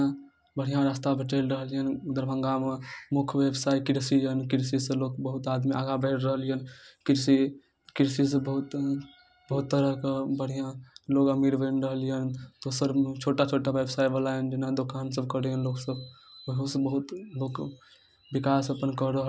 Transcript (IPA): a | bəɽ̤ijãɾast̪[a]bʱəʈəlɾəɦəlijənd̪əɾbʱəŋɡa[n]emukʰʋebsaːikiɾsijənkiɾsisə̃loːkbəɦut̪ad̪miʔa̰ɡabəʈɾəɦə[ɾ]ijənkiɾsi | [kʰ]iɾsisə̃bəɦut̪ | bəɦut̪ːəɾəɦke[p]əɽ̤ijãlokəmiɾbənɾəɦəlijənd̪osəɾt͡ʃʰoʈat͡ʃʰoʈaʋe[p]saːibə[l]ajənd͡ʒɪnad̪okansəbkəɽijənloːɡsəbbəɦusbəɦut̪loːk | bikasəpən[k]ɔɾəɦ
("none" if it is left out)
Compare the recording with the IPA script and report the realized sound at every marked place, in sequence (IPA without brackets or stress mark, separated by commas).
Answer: a, m, l, k, b, b, l, k